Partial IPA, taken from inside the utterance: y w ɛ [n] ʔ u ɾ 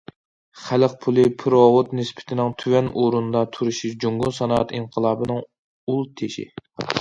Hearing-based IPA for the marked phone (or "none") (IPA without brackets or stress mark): n